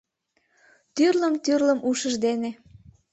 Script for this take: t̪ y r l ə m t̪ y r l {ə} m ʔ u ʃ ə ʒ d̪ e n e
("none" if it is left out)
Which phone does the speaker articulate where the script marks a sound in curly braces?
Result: ə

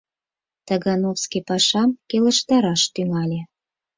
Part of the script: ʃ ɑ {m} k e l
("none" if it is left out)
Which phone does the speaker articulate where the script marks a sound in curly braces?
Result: m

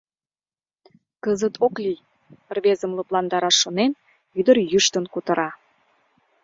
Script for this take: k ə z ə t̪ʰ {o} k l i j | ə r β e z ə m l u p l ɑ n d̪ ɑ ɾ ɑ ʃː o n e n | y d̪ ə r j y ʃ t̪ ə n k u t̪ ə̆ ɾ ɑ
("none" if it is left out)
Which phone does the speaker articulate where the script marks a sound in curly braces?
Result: o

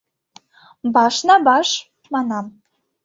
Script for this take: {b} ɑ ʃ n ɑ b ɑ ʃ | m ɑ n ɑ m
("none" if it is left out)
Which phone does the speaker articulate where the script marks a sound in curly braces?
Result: b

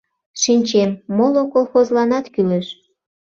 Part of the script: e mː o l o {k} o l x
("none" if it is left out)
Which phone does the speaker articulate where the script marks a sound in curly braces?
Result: k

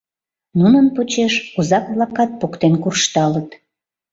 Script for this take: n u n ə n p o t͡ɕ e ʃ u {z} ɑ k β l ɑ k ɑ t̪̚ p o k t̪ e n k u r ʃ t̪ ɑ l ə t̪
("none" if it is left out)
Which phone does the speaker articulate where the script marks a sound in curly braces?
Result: z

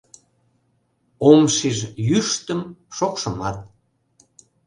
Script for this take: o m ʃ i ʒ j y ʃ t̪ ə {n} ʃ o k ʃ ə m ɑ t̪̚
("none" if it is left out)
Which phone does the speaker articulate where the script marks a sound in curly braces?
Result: m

